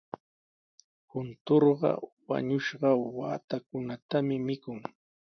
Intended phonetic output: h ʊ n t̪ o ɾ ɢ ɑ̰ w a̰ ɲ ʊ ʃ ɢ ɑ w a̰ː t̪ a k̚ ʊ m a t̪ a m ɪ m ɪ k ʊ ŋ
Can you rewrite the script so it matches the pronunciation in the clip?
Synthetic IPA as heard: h ʊ n t̪ o ɾ ɢ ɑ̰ w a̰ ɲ ʊ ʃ ɢ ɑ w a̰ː t̪ a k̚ ʊ n a t̪ a m ɪ m ɪ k ʊ ŋ